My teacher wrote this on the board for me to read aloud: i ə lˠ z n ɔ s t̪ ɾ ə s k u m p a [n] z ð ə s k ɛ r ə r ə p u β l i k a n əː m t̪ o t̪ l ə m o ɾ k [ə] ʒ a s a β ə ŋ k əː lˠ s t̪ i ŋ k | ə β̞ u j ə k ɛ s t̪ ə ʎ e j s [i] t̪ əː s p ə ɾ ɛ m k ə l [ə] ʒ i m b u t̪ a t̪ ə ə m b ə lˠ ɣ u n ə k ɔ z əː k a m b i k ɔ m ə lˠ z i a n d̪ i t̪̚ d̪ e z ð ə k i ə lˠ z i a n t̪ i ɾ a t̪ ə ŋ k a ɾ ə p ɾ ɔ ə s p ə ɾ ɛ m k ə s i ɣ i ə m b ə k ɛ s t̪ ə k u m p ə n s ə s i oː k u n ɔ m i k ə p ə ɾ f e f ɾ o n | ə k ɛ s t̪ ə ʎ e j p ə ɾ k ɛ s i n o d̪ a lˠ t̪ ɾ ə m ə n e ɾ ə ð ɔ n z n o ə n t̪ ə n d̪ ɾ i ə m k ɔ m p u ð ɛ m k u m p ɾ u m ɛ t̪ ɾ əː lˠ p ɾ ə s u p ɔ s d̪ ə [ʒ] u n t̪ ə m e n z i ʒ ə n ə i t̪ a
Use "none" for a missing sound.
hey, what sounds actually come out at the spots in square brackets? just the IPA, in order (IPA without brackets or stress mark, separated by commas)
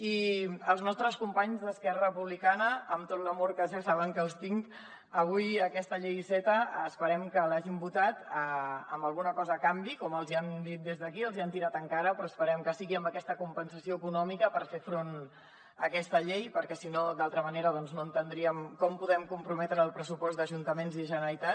ɲ, ə, ɛ, a, ʒ